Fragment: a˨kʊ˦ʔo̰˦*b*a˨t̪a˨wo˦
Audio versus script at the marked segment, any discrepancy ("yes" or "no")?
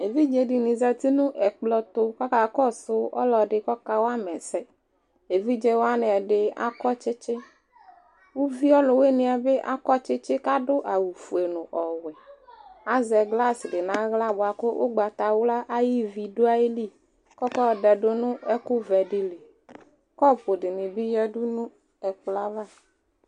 yes